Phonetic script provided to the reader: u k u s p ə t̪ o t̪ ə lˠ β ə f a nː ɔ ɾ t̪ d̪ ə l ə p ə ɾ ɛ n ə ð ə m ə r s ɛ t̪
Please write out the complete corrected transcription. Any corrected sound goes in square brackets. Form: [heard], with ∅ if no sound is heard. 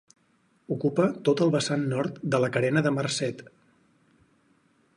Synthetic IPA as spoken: u k u [∅] p ə t̪ o t̪ ə lˠ β ə [s] a nː ɔ ɾ t̪ d̪ ə l ə [k] ə ɾ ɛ n ə ð ə m ə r s ɛ t̪

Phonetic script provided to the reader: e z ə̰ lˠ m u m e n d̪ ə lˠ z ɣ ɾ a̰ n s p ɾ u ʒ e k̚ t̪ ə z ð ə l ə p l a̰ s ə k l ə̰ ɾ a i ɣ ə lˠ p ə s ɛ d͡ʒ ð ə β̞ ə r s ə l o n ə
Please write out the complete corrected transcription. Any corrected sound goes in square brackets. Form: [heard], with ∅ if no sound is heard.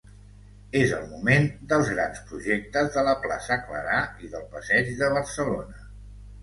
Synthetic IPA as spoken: e z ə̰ lˠ m u m e n d̪ ə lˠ z ɣ ɾ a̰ n s p ɾ u ʒ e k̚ t̪ ə z ð ə l ə p l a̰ s ə k l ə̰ ɾ a i [ð] ə lˠ p ə s ɛ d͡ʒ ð ə β̞ ə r s ə l o n ə

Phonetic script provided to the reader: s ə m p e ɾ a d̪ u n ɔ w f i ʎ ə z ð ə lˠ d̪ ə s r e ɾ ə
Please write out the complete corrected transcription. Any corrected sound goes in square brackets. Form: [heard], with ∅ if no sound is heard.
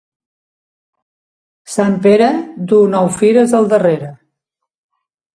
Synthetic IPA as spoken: s [a] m p e ɾ [ə] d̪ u n ɔ w f i [ɾ] ə z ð ə lˠ d̪ ə [∅] r e ɾ ə

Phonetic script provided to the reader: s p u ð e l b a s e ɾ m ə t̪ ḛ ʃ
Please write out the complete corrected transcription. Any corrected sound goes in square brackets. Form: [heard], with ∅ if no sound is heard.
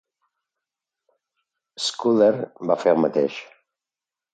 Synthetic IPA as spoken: s [k] u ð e [ɾ] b a [f] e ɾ m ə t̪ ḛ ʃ

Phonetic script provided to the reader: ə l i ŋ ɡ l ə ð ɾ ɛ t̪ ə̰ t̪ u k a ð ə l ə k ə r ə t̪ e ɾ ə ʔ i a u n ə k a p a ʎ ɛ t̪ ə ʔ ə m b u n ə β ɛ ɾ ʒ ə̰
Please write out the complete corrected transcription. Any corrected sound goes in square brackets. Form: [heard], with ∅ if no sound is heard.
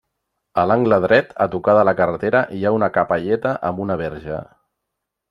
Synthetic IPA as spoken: ə l [a] ŋ ɡ l ə ð ɾ ɛ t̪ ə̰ t̪ u k a ð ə l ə k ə r ə t̪ e ɾ ə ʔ i a u n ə k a p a ʎ ɛ t̪ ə ʔ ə m b u n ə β ɛ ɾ ʒ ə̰

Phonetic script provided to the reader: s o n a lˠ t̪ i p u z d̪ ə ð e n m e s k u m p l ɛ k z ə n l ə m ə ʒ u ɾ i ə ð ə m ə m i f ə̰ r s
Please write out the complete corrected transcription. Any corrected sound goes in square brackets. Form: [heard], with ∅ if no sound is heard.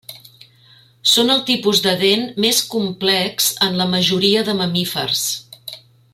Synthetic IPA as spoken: s o n [ə] lˠ t̪ i p u z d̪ ə ð e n m e s k u m p l ɛ k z ə n l ə m ə ʒ u ɾ i ə ð ə m ə m i f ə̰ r s

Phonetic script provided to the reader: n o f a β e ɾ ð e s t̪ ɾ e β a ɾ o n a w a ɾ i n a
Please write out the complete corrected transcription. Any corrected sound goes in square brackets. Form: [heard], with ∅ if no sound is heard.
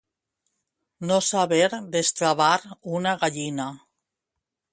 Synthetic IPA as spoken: n o [s] a β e ɾ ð e s t̪ ɾ [a] β a ɾ [u] n a [ɣ] a [ʎ] i n a

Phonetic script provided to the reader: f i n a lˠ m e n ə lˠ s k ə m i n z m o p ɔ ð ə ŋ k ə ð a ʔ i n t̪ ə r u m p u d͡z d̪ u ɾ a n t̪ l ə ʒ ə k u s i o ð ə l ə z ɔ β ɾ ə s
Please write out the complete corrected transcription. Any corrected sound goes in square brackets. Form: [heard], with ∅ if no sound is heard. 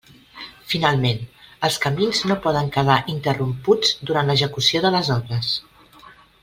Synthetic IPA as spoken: f i n a lˠ m e n ə lˠ s k ə m i n z [n] o p ɔ ð ə ŋ k ə ð a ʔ i n t̪ ə r u m p u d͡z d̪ u ɾ a n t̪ l ə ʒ ə k u s i o ð ə l ə z ɔ β ɾ ə s

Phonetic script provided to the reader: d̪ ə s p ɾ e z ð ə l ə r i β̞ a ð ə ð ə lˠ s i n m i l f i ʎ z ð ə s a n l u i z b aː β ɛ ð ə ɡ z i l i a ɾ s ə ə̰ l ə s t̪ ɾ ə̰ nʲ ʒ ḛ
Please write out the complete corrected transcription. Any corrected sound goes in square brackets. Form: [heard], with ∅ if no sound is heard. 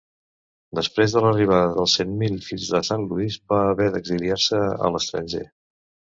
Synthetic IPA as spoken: d̪ ə s p ɾ e z ð ə l ə r i β̞ a ð ə ð ə lˠ s [e] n m i l f i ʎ z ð ə s a n l u i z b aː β ɛ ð ə ɡ z i l i a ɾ s ə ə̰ l ə s t̪ ɾ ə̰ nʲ ʒ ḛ

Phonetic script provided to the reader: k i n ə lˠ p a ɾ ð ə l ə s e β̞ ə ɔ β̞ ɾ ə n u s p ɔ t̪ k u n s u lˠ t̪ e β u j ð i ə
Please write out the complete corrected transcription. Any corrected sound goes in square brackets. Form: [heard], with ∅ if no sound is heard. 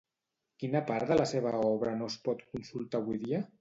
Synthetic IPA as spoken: k i n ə [∅] p a ɾ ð ə l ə s e β̞ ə ɔ β̞ ɾ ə n [o] s p ɔ t̪ k u n s u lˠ t̪ [a] β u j ð i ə

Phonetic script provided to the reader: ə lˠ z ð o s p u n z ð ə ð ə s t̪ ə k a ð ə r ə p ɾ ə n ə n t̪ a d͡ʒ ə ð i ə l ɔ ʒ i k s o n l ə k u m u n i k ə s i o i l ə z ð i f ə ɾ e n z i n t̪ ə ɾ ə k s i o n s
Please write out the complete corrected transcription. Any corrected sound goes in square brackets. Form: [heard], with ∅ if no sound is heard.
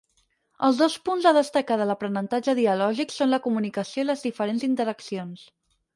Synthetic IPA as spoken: ə lˠ z ð o s p u n z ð ə ð ə s t̪ ə k a ð ə [l] ə p ɾ ə n ə n t̪ a d͡ʒ ə ð i ə l ɔ ʒ i k s o n l ə k u m u n i k ə s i o i l ə z ð i f ə ɾ e n z i n t̪ ə ɾ ə k s i o n s

